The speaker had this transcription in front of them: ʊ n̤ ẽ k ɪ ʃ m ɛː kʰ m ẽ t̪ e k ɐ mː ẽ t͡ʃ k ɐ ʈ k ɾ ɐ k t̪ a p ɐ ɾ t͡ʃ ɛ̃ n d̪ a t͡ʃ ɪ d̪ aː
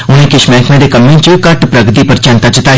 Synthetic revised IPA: ʊ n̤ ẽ k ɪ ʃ m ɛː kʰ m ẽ d̪ e k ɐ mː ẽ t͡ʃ k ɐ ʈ p ɾ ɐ ɡ t̪ i p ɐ ɾ t͡ʃ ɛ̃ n t̪ a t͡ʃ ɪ t̪ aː